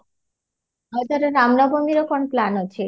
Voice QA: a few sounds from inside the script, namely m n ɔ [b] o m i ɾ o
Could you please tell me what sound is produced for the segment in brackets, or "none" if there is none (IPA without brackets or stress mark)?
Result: b